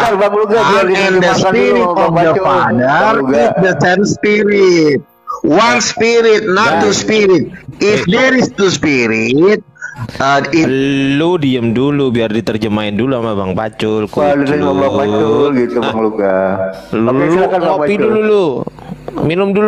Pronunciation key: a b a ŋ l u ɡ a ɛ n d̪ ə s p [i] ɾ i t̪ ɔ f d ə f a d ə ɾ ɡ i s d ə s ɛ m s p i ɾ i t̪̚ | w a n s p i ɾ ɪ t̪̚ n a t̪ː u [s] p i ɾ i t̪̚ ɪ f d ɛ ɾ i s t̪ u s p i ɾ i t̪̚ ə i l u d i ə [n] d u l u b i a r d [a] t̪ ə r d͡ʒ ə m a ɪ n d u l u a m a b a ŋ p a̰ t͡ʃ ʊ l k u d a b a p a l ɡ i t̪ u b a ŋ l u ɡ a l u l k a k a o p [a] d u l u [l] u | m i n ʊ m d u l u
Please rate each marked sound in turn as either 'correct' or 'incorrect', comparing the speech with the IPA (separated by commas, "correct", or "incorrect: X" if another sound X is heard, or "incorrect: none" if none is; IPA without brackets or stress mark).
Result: correct, correct, incorrect: m, incorrect: i, incorrect: i, correct